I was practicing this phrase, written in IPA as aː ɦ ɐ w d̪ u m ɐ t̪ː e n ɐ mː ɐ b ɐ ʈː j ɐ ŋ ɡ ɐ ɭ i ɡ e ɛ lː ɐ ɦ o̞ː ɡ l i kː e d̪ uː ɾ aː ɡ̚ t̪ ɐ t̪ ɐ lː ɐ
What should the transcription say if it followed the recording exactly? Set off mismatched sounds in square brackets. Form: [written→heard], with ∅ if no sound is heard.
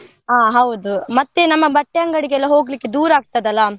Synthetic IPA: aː ɦ ɐ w d̪ u m ɐ t̪ː e n ɐ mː ɐ b ɐ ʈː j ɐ ŋ ɡ ɐ [ɭ→ɽ] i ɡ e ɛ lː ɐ ɦ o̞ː ɡ l i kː e d̪ uː ɾ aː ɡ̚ t̪ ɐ [t̪→d̪] ɐ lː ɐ